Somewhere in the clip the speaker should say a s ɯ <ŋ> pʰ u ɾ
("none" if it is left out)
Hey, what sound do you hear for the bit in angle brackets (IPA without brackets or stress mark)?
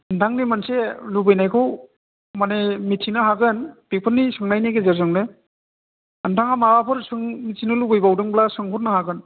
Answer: ŋ